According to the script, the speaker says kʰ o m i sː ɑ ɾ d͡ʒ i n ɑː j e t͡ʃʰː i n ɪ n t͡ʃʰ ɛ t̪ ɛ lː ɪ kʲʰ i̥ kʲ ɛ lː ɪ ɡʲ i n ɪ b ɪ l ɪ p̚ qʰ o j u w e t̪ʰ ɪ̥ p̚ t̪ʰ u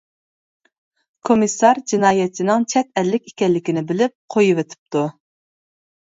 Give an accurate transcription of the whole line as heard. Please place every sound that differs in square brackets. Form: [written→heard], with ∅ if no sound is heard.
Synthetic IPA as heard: kʰ o m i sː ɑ ɾ d͡ʒ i n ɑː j [e→ɛ] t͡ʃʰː i n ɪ [n→ŋ] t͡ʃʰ ɛ t̪ ɛ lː ɪ [kʲʰ→kʲ] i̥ kʲ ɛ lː ɪ [ɡʲ→kʲ] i n ɪ b ɪ l ɪ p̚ qʰ o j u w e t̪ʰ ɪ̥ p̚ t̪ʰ u

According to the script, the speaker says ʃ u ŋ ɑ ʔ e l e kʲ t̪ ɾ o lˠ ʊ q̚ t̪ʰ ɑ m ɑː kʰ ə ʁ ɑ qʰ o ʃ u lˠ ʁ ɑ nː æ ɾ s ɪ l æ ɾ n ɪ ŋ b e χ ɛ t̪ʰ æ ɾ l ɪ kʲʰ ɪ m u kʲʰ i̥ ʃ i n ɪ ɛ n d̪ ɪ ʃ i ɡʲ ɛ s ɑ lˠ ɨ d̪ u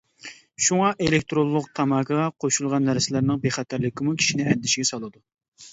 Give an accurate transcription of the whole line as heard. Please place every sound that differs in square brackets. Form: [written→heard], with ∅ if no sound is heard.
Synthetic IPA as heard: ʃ u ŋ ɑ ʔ e l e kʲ t̪ ɾ o [lˠ→lˠː] ʊ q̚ t̪ʰ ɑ m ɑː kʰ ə ʁ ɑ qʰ o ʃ u lˠ ʁ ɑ nː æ ɾ s ɪ l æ ɾ n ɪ ŋ b e χ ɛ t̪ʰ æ ɾ l ɪ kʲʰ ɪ m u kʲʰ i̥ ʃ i n ɪ ɛ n d̪ ɪ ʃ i ɡʲ ɛ s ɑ lˠ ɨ d̪ u

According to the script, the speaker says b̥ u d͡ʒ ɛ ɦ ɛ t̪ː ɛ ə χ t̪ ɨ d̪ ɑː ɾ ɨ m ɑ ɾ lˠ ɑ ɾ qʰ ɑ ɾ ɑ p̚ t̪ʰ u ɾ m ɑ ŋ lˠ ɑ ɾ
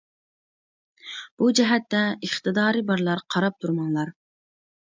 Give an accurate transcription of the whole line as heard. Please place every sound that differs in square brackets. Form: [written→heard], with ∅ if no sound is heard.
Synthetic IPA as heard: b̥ u d͡ʒ ɛ ɦ ɛ t̪ː ɛ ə χ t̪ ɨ d̪ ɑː ɾ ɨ [m→b] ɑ ɾ lˠ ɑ ɾ qʰ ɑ ɾ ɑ p̚ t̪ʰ u ɾ m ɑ ŋ lˠ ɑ ɾ

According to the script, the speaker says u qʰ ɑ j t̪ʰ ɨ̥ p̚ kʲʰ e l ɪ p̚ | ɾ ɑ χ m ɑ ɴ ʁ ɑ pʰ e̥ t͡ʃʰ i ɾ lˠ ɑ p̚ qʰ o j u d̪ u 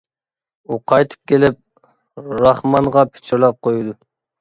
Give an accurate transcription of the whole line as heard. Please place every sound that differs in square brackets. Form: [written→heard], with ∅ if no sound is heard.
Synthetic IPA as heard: u qʰ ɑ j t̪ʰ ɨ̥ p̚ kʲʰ e l ɪ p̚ | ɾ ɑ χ m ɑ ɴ ʁ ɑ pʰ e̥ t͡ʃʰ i ɾ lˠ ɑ p̚ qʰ o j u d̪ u

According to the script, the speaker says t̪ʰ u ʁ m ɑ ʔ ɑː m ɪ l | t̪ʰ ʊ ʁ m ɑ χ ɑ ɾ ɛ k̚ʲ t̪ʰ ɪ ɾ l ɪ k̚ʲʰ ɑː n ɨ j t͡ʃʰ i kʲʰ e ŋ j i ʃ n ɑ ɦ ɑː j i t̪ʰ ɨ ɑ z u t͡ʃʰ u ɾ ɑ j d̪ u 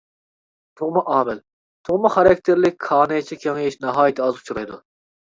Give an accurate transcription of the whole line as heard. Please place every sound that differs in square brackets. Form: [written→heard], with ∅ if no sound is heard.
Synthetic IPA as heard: t̪ʰ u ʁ m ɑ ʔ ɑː m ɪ l | t̪ʰ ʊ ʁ m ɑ χ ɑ ɾ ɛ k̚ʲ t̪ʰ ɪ ɾ l ɪ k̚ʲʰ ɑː n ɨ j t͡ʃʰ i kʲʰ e ŋ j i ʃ n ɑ ɦ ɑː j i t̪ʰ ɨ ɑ z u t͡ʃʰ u ɾ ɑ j d̪ u

